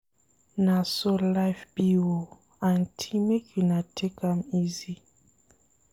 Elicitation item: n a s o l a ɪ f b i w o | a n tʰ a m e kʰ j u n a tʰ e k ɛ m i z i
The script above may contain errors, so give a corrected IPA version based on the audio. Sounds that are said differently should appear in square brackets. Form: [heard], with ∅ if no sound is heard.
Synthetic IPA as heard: n a s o l a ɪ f b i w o | a n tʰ [i] m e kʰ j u n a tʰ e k [a] m i z i